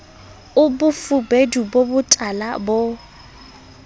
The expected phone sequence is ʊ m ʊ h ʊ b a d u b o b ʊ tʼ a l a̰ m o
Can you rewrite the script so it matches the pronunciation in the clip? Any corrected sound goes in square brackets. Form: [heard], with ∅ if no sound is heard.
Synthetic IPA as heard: ʊ [b] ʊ [f] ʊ b [e] d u b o b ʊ tʼ a l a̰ [b] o